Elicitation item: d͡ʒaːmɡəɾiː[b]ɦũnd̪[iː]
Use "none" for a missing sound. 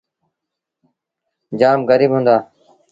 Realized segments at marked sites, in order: b, aː

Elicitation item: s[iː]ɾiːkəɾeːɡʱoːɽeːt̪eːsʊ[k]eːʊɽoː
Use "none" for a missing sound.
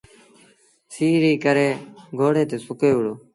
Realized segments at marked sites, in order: iː, k

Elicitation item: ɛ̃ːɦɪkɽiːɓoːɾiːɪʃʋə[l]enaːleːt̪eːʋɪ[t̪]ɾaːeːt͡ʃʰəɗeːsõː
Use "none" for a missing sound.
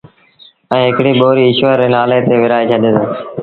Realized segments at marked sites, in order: ɾ, none

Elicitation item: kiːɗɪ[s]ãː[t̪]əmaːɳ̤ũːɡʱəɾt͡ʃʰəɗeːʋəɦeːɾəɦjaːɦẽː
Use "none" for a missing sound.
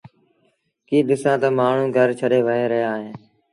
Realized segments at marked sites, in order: s, t̪

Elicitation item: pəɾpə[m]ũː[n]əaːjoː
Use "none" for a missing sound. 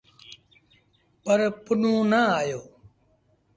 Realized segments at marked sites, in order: n, n

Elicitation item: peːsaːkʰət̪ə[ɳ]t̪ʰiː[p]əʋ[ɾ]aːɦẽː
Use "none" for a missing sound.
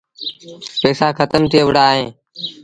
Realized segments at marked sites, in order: m, none, ɽ

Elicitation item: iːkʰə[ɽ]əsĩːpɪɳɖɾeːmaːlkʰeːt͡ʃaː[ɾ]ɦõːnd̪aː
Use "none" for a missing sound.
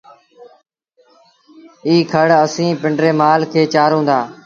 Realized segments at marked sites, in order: ɽ, ɾ

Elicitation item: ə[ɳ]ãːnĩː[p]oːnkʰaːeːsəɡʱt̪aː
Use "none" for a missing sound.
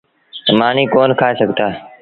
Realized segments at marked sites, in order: m, k

